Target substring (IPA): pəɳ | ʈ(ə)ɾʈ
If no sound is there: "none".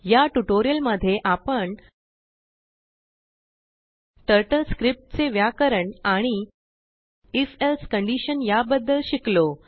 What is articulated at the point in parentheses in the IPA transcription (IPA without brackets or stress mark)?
ə